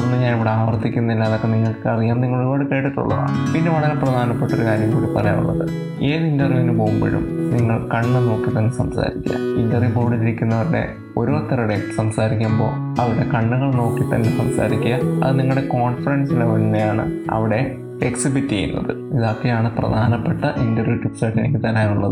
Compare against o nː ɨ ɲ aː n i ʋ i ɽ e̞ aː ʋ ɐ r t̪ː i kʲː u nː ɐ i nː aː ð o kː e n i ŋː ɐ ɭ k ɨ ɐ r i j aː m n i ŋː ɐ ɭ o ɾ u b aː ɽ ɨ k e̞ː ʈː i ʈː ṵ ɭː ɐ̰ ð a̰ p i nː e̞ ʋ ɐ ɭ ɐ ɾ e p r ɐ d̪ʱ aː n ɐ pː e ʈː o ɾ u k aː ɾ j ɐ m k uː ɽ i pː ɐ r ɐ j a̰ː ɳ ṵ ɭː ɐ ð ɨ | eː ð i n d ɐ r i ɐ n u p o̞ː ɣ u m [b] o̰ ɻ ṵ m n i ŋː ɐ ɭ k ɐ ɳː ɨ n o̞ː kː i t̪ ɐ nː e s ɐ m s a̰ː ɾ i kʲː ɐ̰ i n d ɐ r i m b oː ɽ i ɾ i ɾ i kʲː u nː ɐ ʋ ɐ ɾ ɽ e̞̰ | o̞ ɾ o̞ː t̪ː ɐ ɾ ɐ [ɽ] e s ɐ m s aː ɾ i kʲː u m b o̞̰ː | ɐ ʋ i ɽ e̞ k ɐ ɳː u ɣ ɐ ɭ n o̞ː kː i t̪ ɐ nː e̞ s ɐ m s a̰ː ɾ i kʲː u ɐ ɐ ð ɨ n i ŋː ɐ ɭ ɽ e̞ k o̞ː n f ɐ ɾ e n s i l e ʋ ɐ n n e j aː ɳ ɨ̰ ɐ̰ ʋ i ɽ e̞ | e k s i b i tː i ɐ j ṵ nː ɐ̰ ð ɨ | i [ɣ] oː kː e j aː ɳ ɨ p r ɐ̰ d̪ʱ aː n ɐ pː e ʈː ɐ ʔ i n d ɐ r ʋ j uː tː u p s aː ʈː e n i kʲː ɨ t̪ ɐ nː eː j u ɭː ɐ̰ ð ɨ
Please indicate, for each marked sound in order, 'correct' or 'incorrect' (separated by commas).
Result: correct, correct, incorrect